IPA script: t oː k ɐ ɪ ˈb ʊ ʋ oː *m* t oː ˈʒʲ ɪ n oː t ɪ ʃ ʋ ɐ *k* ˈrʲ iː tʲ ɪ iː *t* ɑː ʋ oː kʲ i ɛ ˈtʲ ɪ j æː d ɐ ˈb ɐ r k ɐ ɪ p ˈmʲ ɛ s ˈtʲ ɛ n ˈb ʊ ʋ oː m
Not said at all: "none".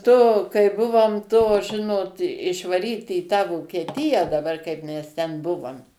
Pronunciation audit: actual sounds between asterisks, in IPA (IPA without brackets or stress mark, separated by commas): m, none, t